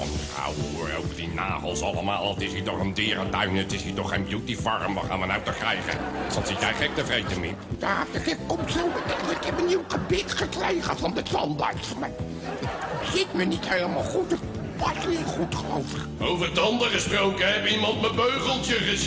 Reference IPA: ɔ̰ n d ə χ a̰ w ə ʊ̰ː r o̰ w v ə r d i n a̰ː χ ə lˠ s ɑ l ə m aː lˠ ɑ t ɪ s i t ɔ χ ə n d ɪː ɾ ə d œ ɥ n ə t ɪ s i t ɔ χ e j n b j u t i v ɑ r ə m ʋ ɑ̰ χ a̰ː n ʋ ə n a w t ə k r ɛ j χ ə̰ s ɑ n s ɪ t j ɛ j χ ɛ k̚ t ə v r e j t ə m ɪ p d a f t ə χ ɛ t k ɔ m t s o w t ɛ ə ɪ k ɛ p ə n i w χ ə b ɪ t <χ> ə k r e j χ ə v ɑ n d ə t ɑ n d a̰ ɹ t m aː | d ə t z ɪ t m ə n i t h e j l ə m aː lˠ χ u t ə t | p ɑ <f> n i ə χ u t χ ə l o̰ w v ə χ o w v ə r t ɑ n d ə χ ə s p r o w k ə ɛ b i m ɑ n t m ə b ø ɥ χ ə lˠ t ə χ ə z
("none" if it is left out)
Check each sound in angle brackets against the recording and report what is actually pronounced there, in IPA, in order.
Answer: χ, s

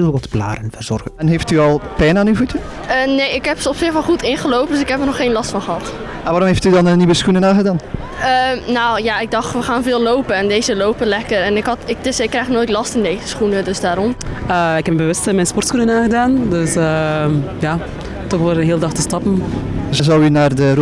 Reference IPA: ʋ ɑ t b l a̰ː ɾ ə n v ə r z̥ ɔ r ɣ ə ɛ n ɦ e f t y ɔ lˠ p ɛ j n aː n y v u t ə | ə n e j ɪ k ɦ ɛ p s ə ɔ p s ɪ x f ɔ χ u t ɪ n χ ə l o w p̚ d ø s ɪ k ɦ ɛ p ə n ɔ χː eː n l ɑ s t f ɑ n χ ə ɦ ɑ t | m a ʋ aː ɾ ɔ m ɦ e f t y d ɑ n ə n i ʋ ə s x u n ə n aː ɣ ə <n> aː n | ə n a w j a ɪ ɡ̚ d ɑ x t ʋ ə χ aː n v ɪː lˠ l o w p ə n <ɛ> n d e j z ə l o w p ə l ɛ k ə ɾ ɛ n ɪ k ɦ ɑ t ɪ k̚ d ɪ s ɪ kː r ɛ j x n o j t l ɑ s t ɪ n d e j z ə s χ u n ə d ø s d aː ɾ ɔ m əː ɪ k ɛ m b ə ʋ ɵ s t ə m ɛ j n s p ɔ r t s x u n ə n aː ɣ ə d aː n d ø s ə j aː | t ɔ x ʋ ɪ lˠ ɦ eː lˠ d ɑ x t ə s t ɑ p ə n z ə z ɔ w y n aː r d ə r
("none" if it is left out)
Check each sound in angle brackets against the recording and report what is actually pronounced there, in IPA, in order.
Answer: d, ɛ

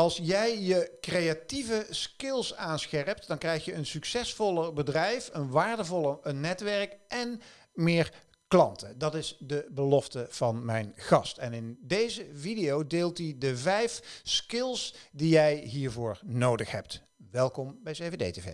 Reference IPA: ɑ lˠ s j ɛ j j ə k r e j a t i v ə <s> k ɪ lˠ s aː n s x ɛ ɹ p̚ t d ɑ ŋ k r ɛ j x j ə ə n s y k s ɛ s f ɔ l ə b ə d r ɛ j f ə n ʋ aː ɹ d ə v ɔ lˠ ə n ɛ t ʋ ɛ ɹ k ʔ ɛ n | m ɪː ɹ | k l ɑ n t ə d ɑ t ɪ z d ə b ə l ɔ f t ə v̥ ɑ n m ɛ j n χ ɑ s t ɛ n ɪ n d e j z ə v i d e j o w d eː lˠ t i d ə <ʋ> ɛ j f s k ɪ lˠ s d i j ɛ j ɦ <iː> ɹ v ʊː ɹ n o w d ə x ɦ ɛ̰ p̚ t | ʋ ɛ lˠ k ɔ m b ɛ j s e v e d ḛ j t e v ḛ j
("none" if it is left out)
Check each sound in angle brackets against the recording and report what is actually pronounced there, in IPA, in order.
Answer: s, v, iː

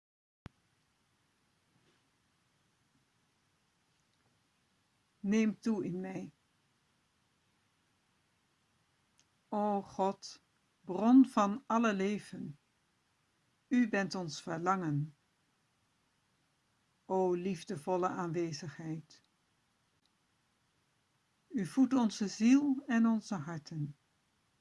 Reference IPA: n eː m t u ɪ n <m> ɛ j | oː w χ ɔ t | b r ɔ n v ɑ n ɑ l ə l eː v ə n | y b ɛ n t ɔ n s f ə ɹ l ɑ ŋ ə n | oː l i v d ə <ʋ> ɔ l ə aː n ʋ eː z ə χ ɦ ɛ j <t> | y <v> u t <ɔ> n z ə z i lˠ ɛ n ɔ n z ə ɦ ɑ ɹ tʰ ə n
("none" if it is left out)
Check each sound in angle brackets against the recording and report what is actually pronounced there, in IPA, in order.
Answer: m, v, t, v, ɔ

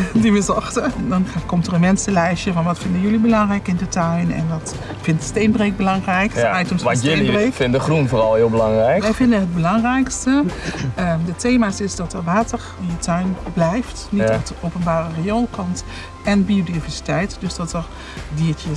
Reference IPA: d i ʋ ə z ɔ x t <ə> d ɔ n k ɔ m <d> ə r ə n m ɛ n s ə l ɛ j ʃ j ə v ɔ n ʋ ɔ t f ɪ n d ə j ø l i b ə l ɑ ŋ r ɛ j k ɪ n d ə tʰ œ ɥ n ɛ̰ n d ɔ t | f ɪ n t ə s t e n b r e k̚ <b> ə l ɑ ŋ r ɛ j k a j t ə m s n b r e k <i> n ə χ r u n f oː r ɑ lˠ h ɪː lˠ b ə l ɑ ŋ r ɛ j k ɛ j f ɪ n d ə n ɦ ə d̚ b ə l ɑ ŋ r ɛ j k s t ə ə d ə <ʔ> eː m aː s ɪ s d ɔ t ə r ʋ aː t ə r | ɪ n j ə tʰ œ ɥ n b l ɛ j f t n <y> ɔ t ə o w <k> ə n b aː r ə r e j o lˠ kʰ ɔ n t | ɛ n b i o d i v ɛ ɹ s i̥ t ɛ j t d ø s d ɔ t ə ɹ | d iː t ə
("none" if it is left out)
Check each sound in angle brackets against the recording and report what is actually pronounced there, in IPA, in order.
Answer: ə, t, b, ɪ, t, i, p

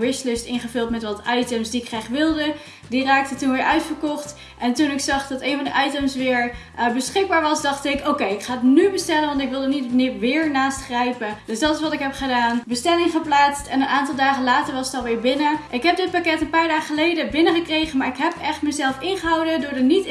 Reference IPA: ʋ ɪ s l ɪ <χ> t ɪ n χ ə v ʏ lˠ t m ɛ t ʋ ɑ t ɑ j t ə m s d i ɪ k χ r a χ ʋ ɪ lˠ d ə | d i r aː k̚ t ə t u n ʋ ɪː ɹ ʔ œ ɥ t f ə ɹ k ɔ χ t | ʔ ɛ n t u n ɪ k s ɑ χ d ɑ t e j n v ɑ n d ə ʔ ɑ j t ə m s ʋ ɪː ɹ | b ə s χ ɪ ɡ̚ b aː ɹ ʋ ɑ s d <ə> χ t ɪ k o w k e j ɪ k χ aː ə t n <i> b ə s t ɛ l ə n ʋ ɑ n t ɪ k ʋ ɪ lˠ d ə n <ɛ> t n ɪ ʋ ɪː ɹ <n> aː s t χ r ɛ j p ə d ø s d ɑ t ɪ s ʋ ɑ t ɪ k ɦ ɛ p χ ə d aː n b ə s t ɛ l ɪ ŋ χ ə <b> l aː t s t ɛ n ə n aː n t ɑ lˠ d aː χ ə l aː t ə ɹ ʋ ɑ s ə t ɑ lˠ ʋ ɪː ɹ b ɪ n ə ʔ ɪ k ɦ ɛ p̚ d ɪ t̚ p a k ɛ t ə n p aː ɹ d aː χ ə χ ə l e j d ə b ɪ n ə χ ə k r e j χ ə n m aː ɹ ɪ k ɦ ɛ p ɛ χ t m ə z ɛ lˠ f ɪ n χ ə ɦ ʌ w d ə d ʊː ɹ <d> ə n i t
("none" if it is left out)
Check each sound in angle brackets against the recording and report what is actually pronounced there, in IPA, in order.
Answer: s, ɑ, y, i, n, p, d

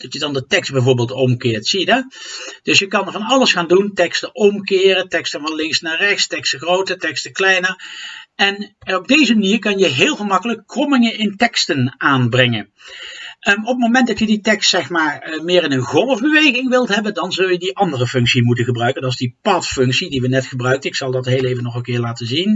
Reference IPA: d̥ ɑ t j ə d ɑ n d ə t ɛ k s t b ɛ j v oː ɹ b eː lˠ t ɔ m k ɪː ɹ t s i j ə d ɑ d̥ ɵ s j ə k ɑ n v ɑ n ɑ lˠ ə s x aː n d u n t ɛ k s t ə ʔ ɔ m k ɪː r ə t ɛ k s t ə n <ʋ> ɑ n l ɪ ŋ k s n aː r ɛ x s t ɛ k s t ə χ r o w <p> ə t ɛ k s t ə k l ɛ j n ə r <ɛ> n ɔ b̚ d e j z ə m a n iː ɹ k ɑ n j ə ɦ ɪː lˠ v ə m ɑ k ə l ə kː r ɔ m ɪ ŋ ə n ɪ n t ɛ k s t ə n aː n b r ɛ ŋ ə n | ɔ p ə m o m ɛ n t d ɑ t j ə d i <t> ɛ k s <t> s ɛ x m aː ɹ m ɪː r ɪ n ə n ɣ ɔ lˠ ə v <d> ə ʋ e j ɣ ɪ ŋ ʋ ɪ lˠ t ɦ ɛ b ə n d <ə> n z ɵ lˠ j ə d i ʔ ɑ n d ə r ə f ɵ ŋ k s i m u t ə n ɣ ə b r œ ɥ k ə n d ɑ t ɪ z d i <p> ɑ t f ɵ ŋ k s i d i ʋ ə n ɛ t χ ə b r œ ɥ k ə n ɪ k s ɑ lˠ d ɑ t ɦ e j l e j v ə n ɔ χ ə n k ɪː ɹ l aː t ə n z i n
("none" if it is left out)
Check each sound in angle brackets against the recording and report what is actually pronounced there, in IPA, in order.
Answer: v, t, ɛ, t, t, b, ɑ, p

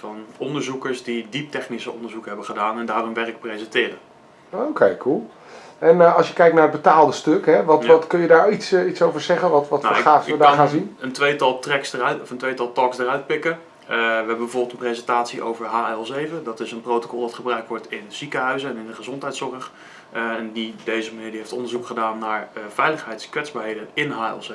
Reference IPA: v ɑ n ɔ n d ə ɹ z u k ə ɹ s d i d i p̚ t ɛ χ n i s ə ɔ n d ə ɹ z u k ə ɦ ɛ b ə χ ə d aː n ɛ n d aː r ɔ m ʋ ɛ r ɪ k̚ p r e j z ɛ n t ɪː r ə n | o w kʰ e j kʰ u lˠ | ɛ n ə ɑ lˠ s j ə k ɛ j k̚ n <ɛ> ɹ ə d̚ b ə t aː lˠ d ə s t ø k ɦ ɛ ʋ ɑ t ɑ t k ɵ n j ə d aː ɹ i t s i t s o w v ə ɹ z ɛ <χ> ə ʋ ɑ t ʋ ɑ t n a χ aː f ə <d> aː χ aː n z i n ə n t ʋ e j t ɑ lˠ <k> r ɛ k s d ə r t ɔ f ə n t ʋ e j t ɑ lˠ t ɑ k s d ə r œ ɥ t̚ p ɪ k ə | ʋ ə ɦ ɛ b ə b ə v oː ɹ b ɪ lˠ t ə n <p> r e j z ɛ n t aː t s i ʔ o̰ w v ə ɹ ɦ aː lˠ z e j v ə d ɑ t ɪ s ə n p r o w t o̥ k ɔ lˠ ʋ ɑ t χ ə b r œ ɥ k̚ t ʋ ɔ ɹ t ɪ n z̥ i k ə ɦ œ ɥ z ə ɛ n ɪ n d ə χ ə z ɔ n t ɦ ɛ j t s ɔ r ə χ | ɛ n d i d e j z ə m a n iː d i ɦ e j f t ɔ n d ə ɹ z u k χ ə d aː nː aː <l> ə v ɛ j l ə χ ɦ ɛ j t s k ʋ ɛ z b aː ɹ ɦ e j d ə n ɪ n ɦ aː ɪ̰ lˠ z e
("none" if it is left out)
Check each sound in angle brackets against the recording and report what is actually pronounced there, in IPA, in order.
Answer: a, χ, d, t, p, ɹ

